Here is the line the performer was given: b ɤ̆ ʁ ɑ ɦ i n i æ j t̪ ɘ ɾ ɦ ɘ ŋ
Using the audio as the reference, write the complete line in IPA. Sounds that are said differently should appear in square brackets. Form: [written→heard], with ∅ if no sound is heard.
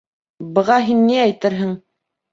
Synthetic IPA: b ɤ̆ ʁ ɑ ɦ i [n→nː] i æ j t̪ ɘ ɾ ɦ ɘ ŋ